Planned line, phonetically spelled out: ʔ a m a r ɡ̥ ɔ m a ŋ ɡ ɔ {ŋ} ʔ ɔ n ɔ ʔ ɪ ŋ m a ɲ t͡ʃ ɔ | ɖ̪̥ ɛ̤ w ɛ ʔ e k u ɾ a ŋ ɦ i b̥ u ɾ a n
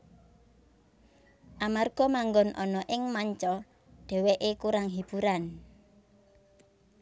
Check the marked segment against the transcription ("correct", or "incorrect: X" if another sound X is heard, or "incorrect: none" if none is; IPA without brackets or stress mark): incorrect: n